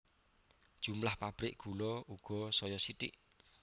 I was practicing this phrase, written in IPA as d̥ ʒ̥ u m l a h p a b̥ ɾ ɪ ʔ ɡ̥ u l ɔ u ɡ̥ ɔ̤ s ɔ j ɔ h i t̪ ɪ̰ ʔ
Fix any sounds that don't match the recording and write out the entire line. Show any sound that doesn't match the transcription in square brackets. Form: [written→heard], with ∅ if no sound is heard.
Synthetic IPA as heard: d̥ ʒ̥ u m l a h p a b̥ ɾ ɪ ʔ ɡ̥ u l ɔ u ɡ̥ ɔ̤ s ɔ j ɔ [h→s] i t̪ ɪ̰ ʔ